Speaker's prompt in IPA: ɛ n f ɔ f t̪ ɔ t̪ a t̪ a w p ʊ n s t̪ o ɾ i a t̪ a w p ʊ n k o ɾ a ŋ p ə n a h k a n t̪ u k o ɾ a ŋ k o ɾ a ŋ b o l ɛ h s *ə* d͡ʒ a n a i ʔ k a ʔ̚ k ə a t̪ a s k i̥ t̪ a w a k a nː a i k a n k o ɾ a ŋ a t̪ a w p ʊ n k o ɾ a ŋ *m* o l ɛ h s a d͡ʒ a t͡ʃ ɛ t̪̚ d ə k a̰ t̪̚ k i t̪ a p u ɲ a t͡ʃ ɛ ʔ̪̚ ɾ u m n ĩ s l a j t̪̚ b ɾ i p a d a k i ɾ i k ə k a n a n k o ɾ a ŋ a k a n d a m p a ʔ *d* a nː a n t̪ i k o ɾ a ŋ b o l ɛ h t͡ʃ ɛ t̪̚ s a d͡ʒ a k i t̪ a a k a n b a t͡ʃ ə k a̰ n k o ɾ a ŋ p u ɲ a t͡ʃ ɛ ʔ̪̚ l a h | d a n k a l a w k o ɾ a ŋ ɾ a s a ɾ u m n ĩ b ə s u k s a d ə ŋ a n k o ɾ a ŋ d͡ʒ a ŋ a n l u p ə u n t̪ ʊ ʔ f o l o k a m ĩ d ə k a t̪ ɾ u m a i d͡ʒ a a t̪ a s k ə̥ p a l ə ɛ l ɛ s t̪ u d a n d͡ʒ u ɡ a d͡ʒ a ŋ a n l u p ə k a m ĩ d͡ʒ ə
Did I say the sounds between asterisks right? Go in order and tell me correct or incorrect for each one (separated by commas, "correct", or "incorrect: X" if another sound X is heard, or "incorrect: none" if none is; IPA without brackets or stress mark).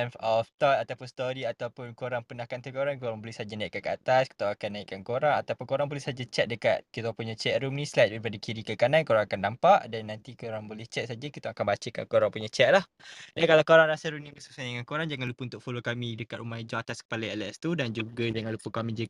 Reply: incorrect: a, incorrect: b, correct